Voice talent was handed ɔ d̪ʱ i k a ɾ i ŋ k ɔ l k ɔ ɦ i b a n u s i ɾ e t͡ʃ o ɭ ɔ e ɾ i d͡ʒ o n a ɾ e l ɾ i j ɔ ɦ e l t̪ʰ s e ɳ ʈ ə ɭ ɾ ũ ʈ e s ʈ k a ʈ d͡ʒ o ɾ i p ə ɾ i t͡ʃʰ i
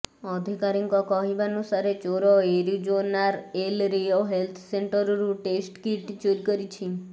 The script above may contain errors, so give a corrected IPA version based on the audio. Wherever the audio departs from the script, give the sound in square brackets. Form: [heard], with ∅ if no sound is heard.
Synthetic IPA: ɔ d̪ʱ i k a ɾ i ŋ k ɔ [∅] k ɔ ɦ i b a n u s [a] ɾ e t͡ʃ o [ɾ] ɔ e ɾ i d͡ʒ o n a ɾ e l ɾ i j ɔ ɦ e l t̪ʰ s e ɳ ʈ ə [ɾ] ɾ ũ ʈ e s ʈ k [i] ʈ d͡ʒ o ɾ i [k] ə ɾ i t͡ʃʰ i